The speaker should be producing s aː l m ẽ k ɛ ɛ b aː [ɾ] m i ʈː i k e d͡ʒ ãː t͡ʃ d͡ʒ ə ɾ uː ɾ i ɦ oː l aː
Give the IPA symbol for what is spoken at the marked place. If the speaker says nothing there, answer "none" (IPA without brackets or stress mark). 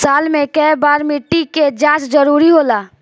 ɾ